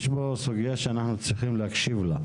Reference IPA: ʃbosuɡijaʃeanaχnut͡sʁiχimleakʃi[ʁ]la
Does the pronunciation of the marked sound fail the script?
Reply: yes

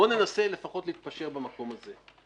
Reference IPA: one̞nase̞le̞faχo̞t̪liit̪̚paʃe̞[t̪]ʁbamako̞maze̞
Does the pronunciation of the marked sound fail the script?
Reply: yes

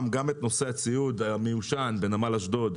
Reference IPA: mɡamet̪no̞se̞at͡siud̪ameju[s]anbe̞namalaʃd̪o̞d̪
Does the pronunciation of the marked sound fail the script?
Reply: yes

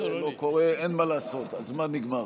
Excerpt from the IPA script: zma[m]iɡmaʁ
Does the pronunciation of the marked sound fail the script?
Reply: yes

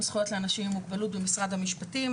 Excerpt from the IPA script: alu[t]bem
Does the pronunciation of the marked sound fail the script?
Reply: no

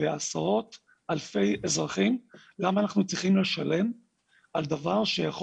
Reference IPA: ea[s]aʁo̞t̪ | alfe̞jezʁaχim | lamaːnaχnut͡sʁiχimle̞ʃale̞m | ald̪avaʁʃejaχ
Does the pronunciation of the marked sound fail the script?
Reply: no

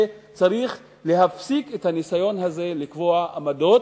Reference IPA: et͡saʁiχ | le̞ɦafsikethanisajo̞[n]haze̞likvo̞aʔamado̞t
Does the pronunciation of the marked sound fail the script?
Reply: no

